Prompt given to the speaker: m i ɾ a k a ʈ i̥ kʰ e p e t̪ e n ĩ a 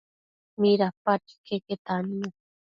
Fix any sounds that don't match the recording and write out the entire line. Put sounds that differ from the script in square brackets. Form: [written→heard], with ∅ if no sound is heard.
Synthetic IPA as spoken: m i ɾ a [k→p] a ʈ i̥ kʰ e [p→k] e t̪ [e→a] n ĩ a